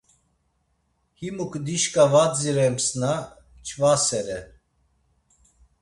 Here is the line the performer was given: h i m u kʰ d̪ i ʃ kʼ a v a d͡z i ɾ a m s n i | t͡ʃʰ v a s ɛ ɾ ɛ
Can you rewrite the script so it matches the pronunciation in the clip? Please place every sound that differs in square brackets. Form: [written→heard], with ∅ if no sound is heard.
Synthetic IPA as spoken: h i m u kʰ d̪ i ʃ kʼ a v a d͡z i ɾ [a→ɛ] m s n [i→a] | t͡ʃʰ v a s ɛ ɾ ɛ